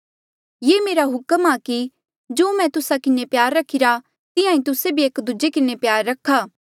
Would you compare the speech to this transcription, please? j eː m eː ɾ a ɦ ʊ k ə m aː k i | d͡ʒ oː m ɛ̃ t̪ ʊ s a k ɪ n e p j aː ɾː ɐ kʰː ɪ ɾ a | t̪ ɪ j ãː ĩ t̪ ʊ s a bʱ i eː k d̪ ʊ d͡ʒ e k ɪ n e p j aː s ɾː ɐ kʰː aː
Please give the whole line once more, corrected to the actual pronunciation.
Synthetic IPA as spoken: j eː m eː ɾ a ɦ ʊ k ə m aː k i | d͡ʒ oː m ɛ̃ t̪ ʊ s a k ɪ n e p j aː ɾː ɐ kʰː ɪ ɾ a | t̪ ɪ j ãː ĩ t̪ ʊ s e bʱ i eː k d̪ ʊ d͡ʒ e k ɪ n e p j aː ɾː ɐ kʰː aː